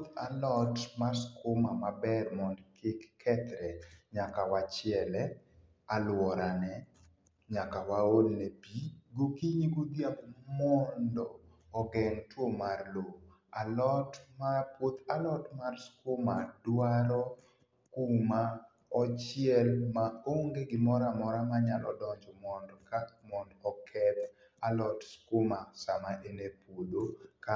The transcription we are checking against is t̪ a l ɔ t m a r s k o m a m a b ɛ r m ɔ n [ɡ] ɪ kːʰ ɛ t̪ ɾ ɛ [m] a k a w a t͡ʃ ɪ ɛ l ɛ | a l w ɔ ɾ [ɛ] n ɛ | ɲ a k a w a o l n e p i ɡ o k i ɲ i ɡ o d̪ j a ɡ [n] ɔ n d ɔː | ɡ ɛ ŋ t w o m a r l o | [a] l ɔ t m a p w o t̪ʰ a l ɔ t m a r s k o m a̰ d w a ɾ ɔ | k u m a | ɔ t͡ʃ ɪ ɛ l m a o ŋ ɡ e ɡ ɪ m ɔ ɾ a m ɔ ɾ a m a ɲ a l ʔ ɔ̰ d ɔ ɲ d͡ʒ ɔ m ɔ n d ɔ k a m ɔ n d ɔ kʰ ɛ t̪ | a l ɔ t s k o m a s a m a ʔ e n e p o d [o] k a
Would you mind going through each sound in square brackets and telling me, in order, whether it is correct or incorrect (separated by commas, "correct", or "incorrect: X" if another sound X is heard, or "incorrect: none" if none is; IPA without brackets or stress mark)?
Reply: incorrect: k, incorrect: ɲ, incorrect: a, incorrect: m, correct, correct